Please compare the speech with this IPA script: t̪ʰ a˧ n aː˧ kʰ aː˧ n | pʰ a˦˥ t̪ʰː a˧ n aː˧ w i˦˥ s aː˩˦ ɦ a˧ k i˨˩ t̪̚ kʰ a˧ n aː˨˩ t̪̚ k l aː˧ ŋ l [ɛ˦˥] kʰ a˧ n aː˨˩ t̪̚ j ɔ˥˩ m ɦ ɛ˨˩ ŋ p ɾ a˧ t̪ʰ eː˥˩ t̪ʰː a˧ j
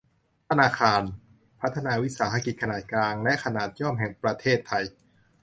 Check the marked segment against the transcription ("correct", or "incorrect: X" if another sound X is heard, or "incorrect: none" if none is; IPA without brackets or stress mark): correct